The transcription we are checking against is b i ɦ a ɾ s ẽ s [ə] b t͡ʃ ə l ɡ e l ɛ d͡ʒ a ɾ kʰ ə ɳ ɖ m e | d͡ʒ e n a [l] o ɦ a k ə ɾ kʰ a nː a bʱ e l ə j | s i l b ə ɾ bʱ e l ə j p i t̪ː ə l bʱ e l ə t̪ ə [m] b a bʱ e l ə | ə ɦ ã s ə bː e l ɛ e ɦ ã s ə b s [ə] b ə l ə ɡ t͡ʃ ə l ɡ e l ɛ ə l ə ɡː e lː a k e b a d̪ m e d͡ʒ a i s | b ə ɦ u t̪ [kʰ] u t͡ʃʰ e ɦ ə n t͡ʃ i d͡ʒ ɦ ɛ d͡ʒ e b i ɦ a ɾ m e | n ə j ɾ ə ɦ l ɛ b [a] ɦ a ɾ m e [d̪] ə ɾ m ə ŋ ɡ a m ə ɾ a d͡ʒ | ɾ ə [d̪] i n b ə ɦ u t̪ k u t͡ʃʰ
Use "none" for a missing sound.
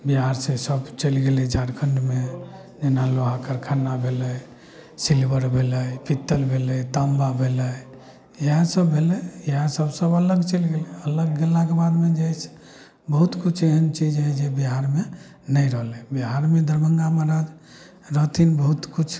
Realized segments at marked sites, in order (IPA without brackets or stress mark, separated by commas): ə, l, m, ə, k, i, d̪, t̪